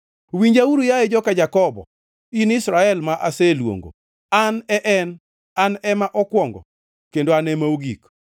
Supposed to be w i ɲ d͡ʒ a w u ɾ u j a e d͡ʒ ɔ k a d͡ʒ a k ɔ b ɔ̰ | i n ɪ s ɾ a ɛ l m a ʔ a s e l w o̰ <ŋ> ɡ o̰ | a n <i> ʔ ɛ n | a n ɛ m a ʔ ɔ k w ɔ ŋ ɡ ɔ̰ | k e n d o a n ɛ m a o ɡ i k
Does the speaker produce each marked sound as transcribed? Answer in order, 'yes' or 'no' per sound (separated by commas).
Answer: yes, no